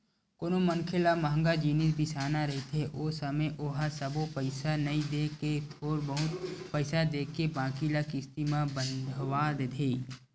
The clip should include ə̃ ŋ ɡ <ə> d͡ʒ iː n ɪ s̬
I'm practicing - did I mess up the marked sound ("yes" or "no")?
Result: yes